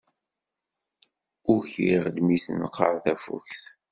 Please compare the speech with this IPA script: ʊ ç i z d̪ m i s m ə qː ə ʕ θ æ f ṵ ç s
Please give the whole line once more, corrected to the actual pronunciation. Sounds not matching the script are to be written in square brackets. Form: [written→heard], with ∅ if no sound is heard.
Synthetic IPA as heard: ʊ ç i [z→ʁ] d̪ m i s [m→n] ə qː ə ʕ θ æ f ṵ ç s